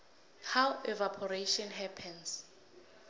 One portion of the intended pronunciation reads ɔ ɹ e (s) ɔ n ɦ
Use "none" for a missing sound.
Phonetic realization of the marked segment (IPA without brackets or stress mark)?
ʃ